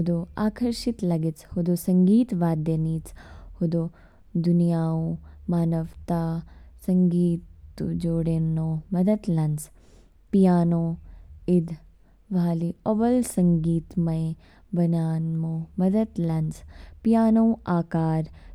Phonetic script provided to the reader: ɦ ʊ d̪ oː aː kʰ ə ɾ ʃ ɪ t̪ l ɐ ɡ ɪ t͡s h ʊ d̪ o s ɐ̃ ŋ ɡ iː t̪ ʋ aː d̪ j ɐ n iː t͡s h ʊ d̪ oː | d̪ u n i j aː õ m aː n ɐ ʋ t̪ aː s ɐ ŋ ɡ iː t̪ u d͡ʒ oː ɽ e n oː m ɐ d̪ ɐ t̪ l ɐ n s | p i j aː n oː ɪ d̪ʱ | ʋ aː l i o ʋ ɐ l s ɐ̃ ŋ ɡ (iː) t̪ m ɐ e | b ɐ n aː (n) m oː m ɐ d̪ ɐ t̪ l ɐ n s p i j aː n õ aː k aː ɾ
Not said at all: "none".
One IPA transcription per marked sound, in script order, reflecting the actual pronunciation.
iː, n

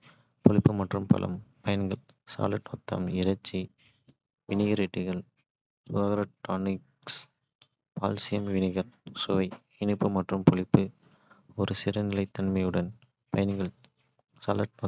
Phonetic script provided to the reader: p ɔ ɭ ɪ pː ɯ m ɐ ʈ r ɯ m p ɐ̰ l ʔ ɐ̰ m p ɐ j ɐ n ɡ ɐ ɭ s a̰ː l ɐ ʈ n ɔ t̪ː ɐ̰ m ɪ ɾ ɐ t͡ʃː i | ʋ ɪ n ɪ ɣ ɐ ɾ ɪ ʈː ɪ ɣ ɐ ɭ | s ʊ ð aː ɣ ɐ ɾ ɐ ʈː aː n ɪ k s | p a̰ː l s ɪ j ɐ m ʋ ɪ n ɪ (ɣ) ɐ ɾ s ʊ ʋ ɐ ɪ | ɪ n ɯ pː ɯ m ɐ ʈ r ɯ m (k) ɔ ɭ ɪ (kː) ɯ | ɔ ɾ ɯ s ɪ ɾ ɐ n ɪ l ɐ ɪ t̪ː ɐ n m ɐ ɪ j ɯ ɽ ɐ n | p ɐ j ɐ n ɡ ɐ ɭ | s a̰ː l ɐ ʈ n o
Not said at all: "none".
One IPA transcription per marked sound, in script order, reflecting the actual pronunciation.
ɣ, p, pː

